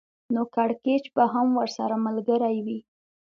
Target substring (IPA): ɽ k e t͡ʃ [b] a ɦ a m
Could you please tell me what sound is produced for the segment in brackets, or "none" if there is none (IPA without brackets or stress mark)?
b